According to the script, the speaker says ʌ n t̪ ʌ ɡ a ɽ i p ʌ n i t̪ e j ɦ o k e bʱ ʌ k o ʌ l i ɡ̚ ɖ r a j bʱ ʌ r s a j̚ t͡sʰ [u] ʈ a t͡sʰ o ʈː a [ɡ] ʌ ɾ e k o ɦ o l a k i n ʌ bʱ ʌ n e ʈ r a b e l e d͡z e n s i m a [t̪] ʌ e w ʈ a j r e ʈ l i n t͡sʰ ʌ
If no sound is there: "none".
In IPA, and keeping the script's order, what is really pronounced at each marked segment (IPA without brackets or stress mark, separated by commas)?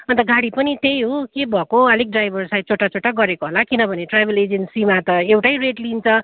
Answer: o, ɡ, t̪